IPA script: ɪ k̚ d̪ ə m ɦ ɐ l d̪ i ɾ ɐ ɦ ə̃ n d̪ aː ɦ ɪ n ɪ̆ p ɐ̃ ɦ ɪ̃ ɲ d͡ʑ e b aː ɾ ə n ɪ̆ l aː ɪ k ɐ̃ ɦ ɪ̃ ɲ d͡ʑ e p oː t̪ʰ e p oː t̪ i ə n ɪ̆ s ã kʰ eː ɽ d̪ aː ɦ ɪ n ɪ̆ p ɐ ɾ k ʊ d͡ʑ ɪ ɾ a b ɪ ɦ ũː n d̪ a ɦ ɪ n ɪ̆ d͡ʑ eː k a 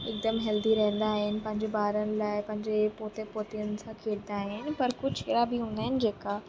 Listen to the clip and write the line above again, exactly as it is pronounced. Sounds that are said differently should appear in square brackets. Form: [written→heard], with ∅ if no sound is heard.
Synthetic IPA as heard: ɪ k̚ d̪ ə m ɦ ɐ l d̪ i ɾ ɐ ɦ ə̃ n d̪ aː ɦ ɪ n ɪ̆ p ɐ̃ ɦ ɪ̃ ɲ d͡ʑ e b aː ɾ ə n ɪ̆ l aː ɪ [k→p] ɐ̃ ɦ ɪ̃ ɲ d͡ʑ e p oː [t̪ʰ→t̪] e p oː t̪ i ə n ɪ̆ s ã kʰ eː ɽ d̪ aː ɦ ɪ n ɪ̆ p ɐ ɾ k ʊ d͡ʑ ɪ ɾ a b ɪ ɦ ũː n d̪ a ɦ ɪ n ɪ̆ d͡ʑ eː k a